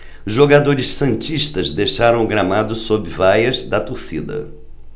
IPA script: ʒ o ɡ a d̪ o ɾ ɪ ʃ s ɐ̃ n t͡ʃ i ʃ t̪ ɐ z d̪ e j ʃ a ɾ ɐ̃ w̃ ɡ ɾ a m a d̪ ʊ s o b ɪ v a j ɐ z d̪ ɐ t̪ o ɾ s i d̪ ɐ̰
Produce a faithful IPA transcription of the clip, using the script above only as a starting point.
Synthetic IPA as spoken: ʒ o ɡ a d̪ o ɾ ɪ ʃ s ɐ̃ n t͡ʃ i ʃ t̪ ɐ z d̪ e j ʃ a ɾ ɐ̃ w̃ ɡ ɾ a m a d̪ ʊ s o b ɪ v a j ɐ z d̪ ɐ t̪ o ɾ s i d̪ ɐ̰